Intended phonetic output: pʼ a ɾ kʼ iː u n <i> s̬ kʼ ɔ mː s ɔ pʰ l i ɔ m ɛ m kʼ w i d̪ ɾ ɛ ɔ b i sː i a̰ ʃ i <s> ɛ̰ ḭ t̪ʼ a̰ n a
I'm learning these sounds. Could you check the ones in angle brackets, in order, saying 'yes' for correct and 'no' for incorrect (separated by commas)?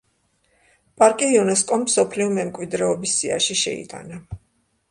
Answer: no, no